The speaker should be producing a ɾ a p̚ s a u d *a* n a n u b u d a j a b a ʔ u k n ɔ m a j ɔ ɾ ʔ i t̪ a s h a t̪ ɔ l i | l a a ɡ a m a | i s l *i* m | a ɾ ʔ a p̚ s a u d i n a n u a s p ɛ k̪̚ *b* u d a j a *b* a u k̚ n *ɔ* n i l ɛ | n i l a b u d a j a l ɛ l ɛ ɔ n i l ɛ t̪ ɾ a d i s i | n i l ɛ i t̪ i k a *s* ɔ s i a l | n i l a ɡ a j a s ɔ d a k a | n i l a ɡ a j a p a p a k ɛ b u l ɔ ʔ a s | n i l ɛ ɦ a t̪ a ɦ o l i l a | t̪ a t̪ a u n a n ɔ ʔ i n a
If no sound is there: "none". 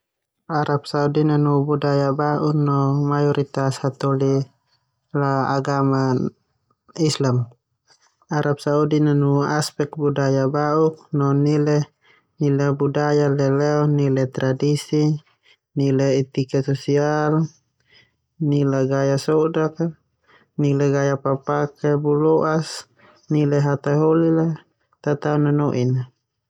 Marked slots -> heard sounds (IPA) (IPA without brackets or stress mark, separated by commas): i, a, b, b, ɔ, s